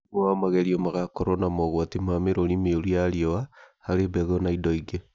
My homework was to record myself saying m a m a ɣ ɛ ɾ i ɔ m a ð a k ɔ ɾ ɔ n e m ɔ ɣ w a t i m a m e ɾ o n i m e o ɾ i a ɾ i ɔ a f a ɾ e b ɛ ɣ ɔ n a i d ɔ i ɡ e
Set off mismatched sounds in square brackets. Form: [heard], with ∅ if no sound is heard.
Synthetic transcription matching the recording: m a m a ɣ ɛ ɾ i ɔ m a [ɣ] a k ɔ ɾ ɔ n [a] m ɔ ɣ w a t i m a m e ɾ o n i m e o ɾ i a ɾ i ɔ a [h] a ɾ e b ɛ ɣ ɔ n a i d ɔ i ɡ e